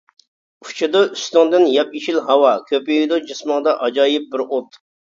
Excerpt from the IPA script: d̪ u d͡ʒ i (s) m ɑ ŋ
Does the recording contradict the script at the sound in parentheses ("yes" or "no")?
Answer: no